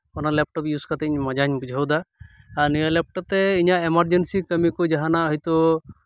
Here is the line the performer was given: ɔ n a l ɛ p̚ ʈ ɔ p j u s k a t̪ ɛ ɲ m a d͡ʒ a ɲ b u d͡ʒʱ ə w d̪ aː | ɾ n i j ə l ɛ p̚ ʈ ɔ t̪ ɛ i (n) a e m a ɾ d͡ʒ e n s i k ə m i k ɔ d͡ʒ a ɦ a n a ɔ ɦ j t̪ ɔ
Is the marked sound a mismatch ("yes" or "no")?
yes